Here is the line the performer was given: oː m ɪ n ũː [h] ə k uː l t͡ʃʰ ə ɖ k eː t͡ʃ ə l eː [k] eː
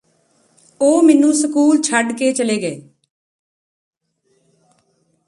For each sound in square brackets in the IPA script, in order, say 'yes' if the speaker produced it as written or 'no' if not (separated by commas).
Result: no, no